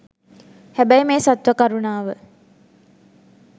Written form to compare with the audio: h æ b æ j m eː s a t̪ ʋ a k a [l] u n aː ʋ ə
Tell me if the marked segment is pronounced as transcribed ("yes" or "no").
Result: no